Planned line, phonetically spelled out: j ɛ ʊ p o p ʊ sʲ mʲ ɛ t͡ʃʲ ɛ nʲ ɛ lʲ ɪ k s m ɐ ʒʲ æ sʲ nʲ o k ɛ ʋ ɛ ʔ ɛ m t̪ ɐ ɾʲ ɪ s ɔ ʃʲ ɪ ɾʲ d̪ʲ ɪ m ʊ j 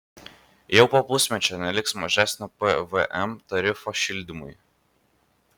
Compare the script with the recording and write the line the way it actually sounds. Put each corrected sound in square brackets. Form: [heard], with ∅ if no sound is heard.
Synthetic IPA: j ɛ ʊ p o p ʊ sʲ mʲ ɛ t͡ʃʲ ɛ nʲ ɛ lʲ ɪ k s m ɐ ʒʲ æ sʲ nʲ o [p] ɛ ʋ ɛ ʔ ɛ m t̪ ɐ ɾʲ ɪ [f] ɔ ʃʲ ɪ [lʲ] d̪ʲ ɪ m ʊ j